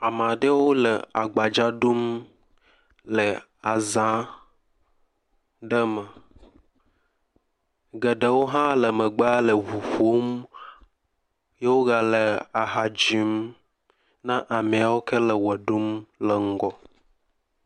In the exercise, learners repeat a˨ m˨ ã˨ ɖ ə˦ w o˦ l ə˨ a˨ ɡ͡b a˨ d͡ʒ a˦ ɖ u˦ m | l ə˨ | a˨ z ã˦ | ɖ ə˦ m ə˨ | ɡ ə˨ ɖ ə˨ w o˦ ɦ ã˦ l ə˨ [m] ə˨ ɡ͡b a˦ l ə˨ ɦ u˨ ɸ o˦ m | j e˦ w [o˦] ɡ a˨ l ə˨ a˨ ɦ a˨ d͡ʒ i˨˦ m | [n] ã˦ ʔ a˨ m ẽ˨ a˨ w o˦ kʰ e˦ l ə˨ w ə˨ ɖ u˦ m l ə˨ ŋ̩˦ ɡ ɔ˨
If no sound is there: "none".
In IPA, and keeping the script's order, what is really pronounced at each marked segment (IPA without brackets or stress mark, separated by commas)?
m, o˦, n